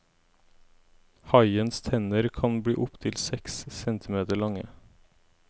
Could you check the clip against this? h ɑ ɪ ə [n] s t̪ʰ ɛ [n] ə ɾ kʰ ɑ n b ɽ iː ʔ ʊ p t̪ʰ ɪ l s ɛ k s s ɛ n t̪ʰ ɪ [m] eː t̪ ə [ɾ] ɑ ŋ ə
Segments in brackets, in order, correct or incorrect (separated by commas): correct, correct, correct, incorrect